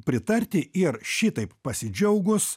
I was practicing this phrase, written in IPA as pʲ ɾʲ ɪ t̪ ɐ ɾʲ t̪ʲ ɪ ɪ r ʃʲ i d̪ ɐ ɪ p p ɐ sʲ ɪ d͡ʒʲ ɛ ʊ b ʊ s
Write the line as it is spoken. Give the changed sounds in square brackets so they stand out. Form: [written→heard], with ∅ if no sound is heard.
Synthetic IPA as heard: pʲ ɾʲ ɪ t̪ ɐ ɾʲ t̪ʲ ɪ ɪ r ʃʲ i [d̪→t̪] ɐ ɪ p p ɐ sʲ ɪ d͡ʒʲ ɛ ʊ [b→ɡ] ʊ s